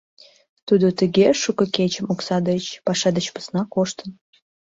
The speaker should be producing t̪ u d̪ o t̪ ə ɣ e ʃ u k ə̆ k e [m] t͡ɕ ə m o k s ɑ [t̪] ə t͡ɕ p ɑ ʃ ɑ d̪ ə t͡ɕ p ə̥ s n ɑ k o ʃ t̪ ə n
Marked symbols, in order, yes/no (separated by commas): no, no